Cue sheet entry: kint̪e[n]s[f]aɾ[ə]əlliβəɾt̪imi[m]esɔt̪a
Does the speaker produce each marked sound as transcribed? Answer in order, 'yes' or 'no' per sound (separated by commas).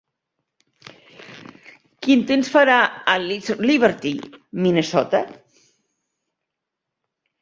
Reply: yes, yes, no, no